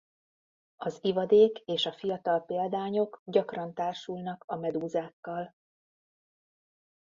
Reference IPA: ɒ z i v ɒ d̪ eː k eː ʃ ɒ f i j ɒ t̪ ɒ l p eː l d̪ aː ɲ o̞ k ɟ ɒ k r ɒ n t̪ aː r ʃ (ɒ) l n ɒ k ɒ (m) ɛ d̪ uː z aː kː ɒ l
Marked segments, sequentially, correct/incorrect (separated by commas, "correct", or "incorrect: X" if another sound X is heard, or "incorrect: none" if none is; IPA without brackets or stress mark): incorrect: u, correct